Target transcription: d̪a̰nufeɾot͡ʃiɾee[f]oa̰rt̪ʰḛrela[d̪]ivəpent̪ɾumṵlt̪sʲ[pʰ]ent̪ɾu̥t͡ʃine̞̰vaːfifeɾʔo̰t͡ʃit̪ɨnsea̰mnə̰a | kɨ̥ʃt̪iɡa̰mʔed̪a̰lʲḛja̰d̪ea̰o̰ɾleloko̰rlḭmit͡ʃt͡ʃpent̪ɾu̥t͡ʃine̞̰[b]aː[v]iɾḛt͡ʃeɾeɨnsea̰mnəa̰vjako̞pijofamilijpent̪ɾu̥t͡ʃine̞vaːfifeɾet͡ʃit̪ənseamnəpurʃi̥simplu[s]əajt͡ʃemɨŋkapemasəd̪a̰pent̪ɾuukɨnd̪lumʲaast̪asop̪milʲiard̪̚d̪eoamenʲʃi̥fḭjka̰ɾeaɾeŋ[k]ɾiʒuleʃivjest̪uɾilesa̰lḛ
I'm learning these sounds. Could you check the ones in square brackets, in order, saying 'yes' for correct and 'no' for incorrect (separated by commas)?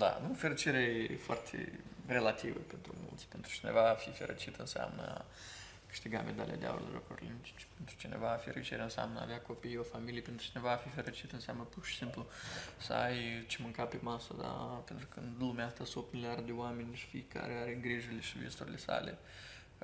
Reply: yes, no, no, no, no, yes, no